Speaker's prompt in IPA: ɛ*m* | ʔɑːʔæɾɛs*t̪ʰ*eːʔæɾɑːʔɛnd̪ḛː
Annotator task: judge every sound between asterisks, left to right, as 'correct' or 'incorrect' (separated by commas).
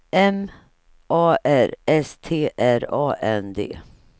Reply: correct, correct